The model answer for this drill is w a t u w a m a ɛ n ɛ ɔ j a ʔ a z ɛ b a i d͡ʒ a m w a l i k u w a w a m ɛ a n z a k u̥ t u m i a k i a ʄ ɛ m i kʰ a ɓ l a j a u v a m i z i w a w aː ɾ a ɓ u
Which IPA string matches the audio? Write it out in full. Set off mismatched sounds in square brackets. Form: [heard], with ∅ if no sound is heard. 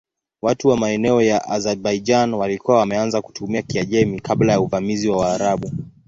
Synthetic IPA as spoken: w a t u w a m a ɛ n ɛ ɔ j a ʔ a z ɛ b a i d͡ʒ a [n] w a l i k u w a w a m ɛ a n z a k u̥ t u m i a k i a ʄ ɛ m i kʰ a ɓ l a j a u v a m i z i w a w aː ɾ a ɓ u

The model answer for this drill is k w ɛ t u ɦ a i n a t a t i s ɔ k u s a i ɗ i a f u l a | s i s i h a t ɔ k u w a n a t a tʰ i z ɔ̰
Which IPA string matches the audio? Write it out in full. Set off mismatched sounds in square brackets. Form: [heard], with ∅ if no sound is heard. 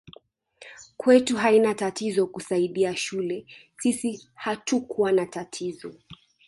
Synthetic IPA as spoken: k w ɛ t u ɦ a i n a t a t i [z] ɔ k u s a i ɗ i a [ʃ] u l [ɛ] | s i s i h a t [u] k u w a n a t a tʰ i z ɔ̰

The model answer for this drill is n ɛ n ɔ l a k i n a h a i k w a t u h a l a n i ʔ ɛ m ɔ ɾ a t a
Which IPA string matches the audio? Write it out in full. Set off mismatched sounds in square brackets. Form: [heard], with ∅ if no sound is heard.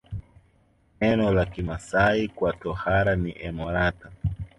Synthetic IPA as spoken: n ɛ n ɔ l a k i [m] a [s] a i k w a t [ɔ] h a [ɾ] a n i ʔ ɛ m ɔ ɾ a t a

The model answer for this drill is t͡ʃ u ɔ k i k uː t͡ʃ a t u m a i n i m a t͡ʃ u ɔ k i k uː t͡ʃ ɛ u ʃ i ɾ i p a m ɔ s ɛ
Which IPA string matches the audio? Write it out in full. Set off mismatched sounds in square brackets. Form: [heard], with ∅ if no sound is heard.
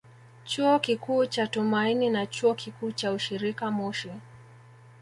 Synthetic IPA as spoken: t͡ʃ u ɔ k i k uː t͡ʃ a t u m a i n i [n] a t͡ʃ u ɔ k i k uː t͡ʃ [a] u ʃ i ɾ i [k] a m ɔ [ʃ] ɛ

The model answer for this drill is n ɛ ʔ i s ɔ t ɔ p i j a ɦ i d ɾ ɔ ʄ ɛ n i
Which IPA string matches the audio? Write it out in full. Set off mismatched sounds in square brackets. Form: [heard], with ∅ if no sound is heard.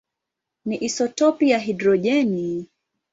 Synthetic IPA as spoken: n [i] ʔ i s ɔ t ɔ p i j a ɦ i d ɾ ɔ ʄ ɛ n i

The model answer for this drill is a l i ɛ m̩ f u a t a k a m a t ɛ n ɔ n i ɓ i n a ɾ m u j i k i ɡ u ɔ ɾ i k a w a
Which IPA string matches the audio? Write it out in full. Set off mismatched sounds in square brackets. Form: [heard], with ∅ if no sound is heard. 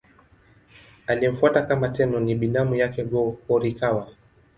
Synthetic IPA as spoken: a l i ɛ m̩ f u a t a k a m a t ɛ n ɔ n i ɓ i n a [∅] m u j [a] k [ɛ] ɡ [ɔ] ɔ ɾ i k a w a

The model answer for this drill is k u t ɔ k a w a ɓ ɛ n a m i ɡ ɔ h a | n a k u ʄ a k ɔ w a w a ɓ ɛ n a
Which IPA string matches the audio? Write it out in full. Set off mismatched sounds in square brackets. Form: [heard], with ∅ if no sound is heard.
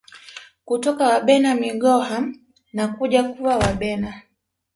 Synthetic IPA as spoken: k u t ɔ k a w a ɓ ɛ n a m i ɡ ɔ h a | n a k u ʄ a k [u] w a w a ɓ ɛ n a

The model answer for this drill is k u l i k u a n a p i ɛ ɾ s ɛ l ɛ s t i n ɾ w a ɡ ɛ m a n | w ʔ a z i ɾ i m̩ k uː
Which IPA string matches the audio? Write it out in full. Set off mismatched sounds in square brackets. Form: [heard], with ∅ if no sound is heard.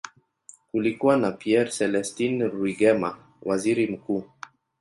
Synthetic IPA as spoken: k u l i k u a n a p i ɛ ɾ s ɛ l ɛ s t i n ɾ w [i] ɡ ɛ m a [∅] | w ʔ a z i ɾ i m̩ k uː

